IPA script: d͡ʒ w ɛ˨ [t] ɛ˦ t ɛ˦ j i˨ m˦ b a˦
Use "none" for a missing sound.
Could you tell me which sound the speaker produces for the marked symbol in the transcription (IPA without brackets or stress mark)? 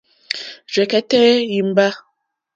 k